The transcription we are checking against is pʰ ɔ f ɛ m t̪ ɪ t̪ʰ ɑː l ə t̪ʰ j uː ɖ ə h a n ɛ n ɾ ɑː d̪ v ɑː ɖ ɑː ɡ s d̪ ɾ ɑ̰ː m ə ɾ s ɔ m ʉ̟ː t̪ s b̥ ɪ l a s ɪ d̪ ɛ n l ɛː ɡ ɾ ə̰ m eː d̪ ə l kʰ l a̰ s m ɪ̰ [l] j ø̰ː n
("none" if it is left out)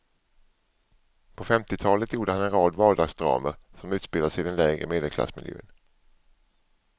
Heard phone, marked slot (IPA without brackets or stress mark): l